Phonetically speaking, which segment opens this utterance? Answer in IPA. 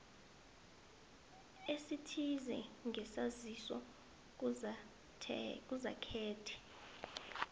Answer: e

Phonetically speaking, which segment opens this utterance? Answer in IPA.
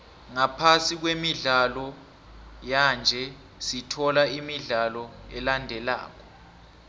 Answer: ŋ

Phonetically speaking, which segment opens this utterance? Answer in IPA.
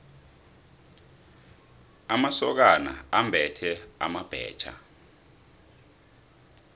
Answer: a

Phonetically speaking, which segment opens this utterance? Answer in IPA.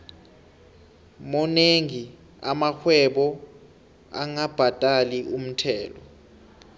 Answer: m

